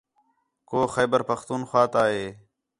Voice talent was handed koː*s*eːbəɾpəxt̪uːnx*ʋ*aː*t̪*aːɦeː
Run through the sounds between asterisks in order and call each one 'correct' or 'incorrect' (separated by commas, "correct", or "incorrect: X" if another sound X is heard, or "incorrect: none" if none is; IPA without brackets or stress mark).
incorrect: x, incorrect: w, correct